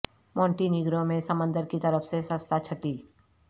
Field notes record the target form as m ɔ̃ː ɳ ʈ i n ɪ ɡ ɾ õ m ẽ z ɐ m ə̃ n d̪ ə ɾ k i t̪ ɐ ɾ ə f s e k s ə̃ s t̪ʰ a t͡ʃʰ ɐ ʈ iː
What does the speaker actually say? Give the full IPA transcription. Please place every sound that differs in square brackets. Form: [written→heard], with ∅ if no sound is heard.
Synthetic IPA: m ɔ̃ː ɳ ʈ i n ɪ ɡ ɾ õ m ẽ [z→s] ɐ m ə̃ n d̪ ə ɾ k i t̪ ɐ ɾ ə f s e [k→∅] s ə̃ s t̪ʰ a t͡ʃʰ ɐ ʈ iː